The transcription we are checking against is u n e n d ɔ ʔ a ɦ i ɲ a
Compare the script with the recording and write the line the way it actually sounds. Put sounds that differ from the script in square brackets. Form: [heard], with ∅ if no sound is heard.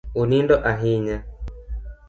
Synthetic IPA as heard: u n [i] n d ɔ ʔ a ɦ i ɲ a